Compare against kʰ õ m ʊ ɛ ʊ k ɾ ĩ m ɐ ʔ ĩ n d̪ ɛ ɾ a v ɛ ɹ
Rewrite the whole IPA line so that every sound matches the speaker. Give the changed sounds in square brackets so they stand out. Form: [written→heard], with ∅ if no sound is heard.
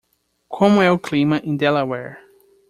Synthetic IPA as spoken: kʰ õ m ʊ ɛ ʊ k [ɾ→l] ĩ m ɐ ʔ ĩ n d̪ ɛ [ɾ→l] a [v→w] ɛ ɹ